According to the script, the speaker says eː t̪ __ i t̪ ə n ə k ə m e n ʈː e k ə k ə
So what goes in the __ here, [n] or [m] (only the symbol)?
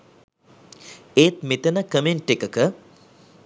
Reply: m